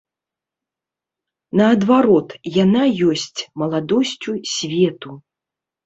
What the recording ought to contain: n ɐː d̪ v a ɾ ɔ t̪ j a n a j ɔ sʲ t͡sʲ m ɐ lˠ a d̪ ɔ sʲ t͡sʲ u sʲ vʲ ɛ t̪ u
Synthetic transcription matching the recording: n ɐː d̪ v a ɾ ɔ t̪ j a n a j ɔ sʲ t͡sʲ m ɐ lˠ a d̪ ɔ sʲ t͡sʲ u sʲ vʲ ɛ t̪ u